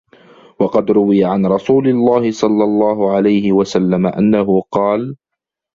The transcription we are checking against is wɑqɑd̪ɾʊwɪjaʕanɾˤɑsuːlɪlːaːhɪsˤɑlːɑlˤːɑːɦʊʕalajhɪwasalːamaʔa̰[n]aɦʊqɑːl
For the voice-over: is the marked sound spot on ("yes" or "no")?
no